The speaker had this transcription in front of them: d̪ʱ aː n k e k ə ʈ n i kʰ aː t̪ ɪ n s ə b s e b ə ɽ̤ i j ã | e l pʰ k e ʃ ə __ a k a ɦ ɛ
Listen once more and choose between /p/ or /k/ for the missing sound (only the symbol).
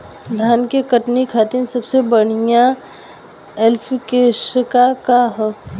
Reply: k